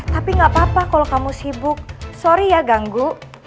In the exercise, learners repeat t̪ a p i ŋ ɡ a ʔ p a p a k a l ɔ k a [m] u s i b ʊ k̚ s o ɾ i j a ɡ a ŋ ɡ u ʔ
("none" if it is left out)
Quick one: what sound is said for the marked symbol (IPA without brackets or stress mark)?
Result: m